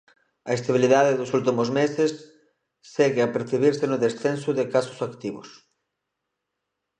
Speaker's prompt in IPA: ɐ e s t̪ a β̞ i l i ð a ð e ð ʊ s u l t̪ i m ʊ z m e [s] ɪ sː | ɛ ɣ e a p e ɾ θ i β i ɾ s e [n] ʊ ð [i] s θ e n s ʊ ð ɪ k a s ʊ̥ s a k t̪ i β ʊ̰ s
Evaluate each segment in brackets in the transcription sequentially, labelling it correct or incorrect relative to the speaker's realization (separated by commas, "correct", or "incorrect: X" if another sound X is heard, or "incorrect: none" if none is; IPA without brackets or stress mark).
correct, correct, incorrect: e